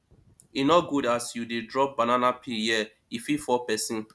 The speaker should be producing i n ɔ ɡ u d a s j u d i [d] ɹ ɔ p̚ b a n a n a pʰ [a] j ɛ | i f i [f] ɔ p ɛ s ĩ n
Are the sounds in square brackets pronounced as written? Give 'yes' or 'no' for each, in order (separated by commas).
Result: yes, no, yes